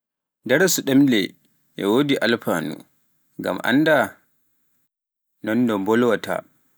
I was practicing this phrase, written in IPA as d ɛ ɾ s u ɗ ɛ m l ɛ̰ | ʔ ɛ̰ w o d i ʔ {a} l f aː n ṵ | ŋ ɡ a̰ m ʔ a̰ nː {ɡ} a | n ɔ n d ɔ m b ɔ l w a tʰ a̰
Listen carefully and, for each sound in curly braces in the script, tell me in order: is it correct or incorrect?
correct, incorrect

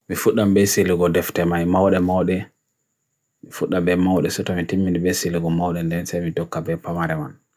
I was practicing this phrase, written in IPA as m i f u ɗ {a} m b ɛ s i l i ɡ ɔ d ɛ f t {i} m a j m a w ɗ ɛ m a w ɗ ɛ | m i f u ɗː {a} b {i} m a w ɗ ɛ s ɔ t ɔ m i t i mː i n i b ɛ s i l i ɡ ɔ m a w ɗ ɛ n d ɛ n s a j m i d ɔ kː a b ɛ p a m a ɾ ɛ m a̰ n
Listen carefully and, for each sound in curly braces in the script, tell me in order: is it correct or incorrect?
correct, incorrect, correct, incorrect

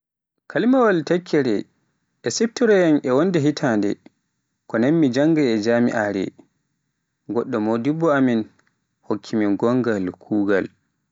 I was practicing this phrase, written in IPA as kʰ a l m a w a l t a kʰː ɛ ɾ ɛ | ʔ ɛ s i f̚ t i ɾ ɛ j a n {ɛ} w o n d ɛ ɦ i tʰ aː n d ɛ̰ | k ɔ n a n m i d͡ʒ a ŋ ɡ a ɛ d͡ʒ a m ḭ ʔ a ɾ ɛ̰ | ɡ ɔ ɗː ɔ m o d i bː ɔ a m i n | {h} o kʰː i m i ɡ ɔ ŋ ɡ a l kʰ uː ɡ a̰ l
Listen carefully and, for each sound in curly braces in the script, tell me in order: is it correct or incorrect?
correct, correct

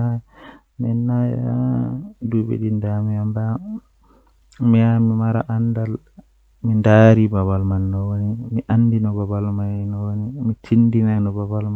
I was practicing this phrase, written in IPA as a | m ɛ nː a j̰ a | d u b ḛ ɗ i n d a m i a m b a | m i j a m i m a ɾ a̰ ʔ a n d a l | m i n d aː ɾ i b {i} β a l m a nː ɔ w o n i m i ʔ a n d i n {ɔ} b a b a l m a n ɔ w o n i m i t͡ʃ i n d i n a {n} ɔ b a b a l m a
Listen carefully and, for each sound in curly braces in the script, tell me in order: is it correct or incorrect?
incorrect, correct, correct

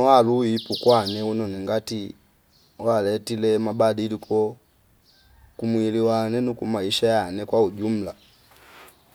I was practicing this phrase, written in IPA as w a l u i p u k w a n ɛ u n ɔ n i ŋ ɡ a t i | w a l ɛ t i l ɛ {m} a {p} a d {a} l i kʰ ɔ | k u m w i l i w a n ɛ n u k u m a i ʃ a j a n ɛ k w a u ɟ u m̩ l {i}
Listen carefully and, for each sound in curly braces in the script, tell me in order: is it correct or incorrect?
correct, incorrect, incorrect, incorrect

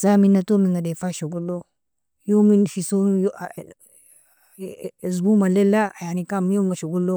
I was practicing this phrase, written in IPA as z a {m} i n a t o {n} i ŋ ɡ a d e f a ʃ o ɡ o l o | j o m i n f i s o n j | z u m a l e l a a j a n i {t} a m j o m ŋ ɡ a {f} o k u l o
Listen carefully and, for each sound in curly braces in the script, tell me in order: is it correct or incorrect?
correct, incorrect, incorrect, incorrect

